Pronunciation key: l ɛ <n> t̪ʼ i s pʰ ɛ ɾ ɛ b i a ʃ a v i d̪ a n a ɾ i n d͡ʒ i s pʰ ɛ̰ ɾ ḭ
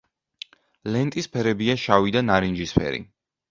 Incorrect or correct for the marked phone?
correct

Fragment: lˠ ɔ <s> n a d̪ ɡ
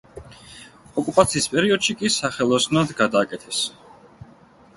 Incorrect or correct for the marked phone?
correct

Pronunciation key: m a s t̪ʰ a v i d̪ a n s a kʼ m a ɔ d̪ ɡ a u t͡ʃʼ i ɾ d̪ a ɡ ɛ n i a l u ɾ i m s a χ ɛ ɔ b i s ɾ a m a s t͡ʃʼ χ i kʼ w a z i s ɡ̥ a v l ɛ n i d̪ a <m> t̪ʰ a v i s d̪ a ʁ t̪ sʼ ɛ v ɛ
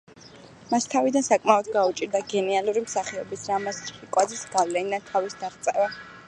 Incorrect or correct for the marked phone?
incorrect: n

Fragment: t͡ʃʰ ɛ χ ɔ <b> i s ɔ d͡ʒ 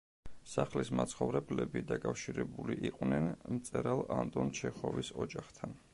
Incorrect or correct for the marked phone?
incorrect: v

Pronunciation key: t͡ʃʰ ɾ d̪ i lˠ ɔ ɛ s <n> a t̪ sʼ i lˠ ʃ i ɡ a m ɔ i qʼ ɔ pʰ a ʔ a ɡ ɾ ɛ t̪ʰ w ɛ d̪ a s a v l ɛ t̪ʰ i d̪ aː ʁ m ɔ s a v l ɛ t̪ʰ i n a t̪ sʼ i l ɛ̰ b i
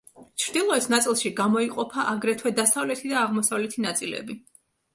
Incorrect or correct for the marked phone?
correct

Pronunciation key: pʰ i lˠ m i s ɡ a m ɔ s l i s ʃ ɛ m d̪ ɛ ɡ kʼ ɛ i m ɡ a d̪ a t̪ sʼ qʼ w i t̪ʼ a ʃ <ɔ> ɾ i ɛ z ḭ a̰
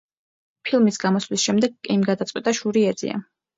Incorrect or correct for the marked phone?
incorrect: u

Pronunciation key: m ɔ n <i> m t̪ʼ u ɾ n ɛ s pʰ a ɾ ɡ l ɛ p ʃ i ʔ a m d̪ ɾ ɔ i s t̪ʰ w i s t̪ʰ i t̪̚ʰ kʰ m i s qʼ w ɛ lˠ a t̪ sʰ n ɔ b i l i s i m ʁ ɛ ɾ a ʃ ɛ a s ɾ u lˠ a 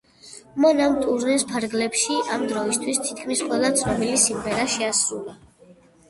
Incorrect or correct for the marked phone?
incorrect: a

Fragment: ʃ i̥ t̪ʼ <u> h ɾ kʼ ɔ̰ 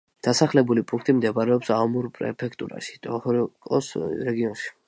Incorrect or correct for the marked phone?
incorrect: ɔ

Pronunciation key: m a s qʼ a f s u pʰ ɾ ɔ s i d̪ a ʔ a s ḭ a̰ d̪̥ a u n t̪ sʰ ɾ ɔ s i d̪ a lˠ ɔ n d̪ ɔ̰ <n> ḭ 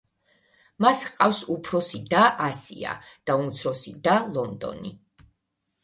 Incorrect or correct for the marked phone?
correct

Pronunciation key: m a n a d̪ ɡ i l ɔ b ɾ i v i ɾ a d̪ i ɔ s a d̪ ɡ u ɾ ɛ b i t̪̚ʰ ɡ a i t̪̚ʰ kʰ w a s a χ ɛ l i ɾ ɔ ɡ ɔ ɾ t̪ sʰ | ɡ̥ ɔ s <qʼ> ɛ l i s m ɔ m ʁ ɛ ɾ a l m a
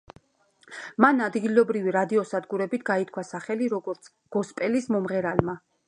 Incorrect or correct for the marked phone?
incorrect: pʼ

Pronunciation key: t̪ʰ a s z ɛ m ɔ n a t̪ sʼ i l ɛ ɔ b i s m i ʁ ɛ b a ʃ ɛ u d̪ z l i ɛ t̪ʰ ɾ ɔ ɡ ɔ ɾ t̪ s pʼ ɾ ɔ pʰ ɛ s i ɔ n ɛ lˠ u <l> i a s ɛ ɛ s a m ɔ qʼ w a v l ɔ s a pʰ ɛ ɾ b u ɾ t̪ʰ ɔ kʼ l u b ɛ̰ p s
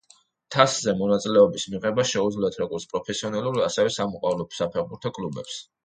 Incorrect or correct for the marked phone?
incorrect: ɾ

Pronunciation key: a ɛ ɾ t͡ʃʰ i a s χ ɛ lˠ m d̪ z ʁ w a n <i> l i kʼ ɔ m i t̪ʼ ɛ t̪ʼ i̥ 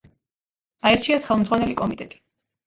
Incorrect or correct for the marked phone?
incorrect: ɛ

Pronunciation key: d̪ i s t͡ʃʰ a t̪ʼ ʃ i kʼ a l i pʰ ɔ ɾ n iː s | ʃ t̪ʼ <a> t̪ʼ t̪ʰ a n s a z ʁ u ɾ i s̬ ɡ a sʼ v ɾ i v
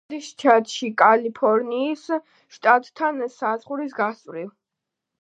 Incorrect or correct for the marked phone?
correct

